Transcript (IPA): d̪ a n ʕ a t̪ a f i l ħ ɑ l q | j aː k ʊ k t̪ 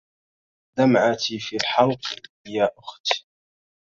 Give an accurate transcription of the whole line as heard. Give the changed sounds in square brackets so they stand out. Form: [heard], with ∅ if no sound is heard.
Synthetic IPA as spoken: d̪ a [m] ʕ a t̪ [i] f i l ħ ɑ l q | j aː [ʔ] ʊ [x] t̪